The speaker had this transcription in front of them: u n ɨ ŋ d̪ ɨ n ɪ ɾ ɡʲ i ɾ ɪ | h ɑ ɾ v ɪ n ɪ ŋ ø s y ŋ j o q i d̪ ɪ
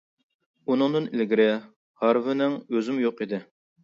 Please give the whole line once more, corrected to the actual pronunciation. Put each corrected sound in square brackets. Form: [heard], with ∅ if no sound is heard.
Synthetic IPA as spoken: u n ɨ ŋ d̪ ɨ n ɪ [l] ɡʲ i ɾ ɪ | h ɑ ɾ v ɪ n ɪ ŋ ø [z] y [m] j o q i d̪ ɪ